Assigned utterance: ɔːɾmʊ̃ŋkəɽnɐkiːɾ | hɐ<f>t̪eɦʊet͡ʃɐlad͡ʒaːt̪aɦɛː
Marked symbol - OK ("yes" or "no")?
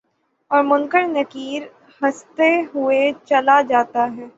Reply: no